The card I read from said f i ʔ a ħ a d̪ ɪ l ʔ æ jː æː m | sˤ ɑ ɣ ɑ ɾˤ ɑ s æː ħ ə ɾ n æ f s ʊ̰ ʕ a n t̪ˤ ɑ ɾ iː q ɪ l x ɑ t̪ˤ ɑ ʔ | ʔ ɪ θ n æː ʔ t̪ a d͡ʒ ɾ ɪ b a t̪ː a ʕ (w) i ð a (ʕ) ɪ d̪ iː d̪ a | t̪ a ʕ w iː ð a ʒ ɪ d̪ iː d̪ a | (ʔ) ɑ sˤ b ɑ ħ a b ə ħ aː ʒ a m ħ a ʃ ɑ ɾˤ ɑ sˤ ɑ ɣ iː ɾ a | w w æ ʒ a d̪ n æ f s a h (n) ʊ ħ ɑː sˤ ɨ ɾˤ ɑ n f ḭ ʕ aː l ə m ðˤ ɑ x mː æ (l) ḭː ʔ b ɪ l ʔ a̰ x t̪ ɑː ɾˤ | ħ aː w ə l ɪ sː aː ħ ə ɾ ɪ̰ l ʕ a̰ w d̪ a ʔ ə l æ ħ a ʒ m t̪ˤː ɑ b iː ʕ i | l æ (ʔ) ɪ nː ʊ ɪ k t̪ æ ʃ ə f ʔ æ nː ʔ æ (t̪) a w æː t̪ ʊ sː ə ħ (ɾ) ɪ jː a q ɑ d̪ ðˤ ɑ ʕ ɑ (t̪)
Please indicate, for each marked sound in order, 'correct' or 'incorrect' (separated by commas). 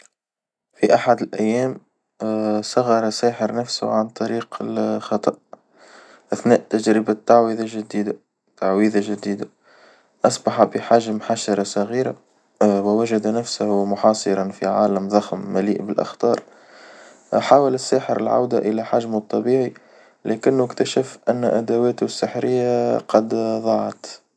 correct, incorrect, correct, incorrect, correct, incorrect, incorrect, correct, correct